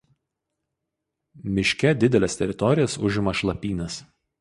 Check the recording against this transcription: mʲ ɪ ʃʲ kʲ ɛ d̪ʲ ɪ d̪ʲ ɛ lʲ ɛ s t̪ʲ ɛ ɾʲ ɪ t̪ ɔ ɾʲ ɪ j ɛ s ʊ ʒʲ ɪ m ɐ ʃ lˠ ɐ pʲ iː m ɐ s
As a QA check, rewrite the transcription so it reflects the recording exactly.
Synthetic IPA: mʲ ɪ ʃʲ kʲ ɛ d̪ʲ ɪ d̪ʲ ɛ lʲ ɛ s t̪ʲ ɛ ɾʲ ɪ t̪ ɔ ɾʲ ɪ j ɛ s ʊ ʒʲ ɪ m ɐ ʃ lˠ ɐ pʲ iː n ɐ s